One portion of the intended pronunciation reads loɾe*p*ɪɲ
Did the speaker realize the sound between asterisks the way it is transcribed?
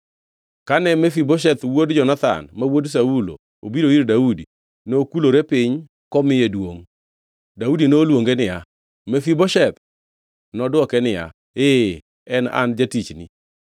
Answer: yes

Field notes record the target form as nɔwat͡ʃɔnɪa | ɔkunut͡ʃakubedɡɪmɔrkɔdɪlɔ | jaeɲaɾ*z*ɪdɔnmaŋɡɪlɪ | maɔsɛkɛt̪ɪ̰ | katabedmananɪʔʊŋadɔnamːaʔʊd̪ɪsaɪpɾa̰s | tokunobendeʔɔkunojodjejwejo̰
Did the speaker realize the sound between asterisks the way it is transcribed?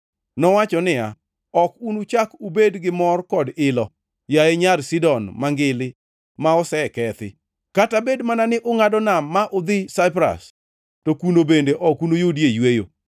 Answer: no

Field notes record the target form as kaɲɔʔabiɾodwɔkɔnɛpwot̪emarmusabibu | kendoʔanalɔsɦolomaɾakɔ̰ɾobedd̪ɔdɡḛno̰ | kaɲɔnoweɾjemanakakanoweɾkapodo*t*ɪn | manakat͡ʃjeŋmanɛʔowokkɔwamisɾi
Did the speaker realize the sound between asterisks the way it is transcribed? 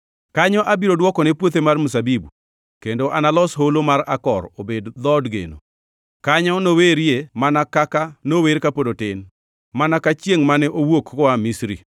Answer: yes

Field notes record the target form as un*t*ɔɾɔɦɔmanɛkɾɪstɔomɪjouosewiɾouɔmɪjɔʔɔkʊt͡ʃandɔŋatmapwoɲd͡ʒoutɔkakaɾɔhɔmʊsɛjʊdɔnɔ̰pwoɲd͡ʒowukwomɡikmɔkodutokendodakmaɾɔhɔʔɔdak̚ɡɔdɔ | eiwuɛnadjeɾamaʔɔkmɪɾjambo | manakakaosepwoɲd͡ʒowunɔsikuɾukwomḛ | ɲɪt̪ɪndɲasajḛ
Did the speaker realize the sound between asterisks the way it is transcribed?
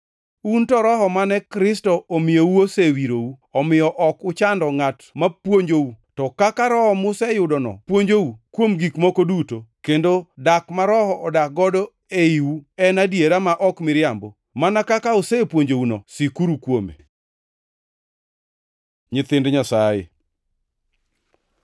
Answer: yes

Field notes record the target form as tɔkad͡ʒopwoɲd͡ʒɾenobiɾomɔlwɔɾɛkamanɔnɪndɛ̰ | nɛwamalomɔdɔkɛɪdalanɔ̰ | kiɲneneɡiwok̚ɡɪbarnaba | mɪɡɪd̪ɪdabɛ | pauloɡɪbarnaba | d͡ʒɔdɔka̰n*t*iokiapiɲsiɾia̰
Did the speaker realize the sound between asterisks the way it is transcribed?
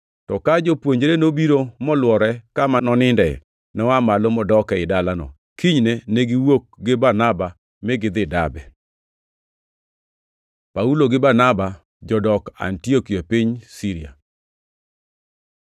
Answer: yes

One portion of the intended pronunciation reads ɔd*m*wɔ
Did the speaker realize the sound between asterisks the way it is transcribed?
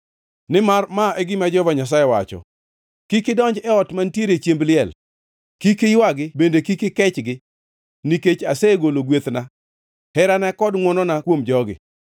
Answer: no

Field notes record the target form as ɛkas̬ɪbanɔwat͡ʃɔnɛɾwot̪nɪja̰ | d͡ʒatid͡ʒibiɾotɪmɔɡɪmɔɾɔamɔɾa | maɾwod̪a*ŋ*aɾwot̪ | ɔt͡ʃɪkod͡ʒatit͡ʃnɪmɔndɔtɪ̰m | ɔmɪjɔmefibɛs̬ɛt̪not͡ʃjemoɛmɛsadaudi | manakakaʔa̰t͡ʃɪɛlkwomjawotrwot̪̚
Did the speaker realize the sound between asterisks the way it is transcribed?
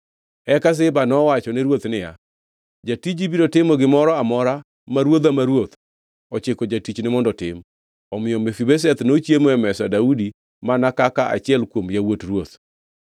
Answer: no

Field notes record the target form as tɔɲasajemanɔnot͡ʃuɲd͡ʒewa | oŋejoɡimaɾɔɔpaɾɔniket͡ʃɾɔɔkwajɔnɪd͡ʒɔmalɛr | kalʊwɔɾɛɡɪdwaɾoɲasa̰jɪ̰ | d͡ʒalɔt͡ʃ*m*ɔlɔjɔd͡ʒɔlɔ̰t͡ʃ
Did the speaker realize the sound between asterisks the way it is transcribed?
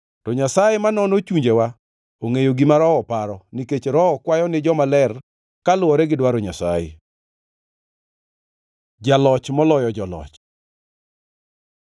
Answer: yes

